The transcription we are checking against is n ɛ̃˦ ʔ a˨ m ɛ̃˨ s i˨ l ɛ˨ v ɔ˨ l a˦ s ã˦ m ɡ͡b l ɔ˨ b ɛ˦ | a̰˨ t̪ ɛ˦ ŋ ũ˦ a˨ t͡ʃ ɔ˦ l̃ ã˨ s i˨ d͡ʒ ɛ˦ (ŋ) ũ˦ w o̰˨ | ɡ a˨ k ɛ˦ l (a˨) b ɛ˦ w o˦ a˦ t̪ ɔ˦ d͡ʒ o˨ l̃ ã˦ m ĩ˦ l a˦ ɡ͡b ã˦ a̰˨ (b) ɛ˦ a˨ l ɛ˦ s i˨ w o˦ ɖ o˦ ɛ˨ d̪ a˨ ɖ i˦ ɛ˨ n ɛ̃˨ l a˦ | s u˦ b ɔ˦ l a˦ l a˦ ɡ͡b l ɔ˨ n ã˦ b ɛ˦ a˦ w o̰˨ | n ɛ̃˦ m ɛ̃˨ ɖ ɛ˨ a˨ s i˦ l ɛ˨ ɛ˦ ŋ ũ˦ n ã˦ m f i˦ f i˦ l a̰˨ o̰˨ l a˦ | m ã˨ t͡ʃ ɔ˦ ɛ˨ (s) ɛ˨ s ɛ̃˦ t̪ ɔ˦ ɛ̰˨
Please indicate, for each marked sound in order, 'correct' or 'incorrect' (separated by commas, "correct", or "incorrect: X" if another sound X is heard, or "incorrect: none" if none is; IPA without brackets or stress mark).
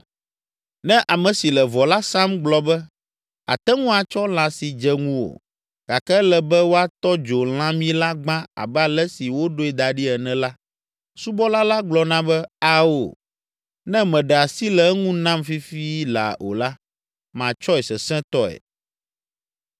correct, incorrect: ɛ˨, correct, correct